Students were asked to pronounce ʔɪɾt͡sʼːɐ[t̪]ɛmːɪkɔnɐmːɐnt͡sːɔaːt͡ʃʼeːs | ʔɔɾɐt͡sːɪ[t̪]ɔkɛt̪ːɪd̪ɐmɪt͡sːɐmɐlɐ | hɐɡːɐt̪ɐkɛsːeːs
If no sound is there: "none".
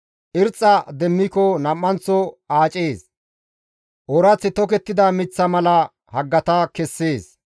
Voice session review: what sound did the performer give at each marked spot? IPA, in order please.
d̪, t̪

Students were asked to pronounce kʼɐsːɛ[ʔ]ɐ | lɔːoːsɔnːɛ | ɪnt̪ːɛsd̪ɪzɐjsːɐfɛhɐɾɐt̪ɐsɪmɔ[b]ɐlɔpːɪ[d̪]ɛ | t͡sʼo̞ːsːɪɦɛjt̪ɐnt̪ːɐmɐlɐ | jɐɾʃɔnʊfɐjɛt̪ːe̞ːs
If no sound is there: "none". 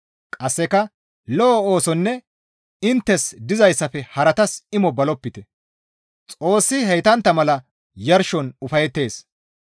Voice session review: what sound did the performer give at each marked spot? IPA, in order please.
k, b, t̪

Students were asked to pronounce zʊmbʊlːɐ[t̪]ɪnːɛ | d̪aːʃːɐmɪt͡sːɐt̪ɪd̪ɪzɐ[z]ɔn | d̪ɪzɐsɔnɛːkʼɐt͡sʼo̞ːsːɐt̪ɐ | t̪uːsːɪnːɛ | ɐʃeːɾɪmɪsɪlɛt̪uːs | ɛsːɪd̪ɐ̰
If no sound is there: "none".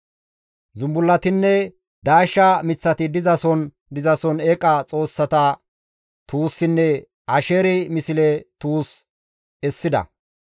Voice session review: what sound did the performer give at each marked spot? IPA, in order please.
t̪, s

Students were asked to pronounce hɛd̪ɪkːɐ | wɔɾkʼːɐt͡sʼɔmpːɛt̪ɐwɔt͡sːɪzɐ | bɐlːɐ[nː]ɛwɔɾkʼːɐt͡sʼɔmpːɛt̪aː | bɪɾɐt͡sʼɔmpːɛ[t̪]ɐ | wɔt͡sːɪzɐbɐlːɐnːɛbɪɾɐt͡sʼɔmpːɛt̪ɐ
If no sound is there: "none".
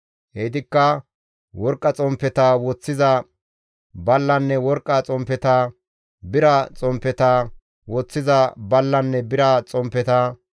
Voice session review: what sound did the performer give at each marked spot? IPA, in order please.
nː, t̪

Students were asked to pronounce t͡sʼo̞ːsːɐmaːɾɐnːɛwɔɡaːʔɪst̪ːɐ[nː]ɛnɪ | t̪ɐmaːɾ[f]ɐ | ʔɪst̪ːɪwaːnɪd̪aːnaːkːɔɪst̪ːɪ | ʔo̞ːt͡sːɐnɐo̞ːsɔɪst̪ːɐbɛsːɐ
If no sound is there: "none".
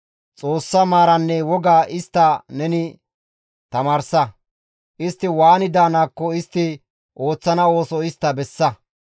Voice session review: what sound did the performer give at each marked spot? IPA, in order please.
n, s

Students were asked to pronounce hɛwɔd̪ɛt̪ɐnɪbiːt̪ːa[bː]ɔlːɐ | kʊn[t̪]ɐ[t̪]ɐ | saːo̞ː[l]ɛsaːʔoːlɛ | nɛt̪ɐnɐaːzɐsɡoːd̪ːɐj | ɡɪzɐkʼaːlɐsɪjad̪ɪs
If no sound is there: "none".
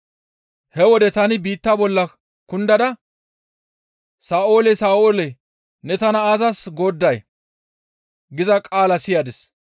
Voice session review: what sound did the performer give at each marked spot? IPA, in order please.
b, d̪, d̪, l

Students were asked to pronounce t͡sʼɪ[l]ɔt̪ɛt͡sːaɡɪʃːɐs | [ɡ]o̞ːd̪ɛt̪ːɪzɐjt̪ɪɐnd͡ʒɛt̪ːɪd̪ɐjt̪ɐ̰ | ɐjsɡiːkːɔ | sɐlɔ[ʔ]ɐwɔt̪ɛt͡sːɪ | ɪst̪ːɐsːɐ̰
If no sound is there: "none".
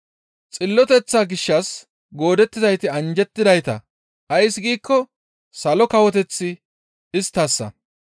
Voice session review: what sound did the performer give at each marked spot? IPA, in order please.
lː, ɡ, k

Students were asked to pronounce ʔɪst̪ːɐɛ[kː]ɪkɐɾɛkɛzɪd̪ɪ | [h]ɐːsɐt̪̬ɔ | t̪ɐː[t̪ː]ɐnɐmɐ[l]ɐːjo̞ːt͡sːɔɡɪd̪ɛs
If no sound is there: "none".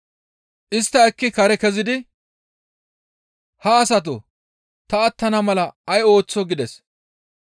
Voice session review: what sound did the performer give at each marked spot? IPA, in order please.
kː, h, t̪ː, l

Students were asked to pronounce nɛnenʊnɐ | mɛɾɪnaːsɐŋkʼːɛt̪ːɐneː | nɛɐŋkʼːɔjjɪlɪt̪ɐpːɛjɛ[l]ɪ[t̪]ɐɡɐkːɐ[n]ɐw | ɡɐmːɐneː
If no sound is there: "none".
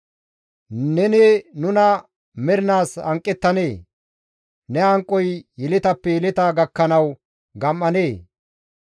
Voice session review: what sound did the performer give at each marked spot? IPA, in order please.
l, t̪, n

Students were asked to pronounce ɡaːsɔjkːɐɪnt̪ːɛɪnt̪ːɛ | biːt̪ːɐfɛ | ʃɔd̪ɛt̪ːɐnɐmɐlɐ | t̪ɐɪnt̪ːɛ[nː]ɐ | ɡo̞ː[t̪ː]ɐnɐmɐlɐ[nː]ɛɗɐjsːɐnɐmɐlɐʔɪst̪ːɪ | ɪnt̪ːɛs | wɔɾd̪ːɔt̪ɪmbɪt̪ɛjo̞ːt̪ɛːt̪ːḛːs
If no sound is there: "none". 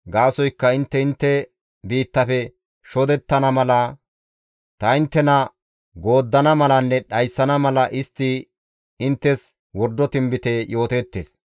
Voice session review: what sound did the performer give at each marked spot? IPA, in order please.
n, d̪ː, nː

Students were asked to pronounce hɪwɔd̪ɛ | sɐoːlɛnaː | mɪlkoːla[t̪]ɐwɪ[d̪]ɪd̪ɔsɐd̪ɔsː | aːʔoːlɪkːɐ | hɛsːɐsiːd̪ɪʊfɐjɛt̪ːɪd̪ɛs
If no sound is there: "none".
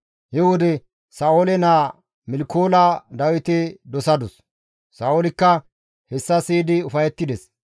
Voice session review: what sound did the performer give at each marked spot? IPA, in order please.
d̪, t̪

